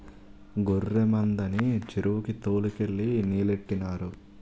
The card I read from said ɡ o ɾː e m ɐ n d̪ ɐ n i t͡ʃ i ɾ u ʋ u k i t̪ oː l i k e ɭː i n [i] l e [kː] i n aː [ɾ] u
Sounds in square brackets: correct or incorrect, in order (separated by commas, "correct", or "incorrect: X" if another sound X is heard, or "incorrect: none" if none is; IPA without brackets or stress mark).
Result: incorrect: iː, incorrect: ʈː, correct